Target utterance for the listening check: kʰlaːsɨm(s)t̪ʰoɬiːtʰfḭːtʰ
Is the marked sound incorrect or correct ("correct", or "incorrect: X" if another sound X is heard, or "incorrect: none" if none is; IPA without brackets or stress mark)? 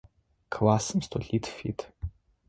correct